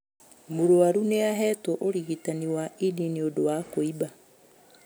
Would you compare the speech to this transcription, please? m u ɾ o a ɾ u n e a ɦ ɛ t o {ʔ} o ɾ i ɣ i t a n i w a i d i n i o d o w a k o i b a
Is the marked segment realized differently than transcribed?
no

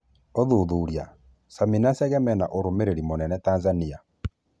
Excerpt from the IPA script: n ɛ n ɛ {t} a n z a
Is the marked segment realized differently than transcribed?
no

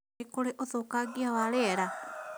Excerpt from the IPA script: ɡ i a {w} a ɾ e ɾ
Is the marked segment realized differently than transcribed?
no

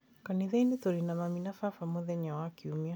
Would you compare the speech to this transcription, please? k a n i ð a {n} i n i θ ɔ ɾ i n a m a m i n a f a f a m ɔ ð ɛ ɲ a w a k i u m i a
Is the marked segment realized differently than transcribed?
yes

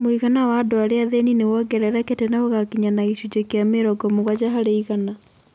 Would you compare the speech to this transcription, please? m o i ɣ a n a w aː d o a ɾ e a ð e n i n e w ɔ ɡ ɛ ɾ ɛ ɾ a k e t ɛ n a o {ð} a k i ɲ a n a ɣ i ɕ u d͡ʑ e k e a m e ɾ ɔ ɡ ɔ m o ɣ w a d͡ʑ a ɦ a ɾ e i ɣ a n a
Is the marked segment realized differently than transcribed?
yes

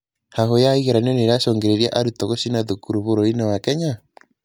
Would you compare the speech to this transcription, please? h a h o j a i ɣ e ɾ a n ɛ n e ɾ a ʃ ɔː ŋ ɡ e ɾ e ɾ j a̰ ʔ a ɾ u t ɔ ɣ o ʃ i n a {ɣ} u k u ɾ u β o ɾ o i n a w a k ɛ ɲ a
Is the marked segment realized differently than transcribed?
yes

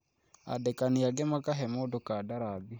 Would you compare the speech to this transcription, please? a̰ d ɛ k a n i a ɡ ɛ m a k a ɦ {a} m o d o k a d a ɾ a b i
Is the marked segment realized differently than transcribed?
yes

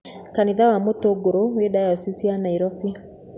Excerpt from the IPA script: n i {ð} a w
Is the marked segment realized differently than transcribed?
no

